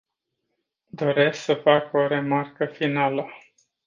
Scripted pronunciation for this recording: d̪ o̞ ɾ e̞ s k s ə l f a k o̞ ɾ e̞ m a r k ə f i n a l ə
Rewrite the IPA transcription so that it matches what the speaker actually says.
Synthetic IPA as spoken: d̪ o̞ ɾ e̞ s k s ə f a k o̞ ɾ e̞ m a r k ə f i n a l ə